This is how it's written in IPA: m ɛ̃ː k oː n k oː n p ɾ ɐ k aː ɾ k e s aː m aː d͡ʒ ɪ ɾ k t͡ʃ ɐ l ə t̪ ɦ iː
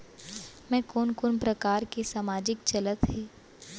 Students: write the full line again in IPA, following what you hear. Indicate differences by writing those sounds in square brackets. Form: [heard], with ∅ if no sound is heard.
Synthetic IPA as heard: m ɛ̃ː k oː n k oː n p ɾ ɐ k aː ɾ k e s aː m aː d͡ʒ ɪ [∅] k t͡ʃ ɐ l ə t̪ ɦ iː